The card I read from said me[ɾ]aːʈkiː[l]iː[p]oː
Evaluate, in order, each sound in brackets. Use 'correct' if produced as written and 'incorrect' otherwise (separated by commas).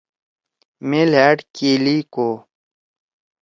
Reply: incorrect, correct, incorrect